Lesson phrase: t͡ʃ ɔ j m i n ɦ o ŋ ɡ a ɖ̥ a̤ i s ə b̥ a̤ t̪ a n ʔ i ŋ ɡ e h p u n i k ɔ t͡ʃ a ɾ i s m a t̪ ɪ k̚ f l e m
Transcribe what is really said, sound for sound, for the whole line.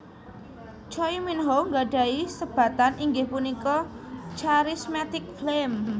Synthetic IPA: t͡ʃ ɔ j m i n ɦ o ŋ ɡ a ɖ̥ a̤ i s ə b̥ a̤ t̪ a n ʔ i ŋ ɡ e h p u n i k ɔ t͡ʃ a ɾ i s m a t̪ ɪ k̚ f l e m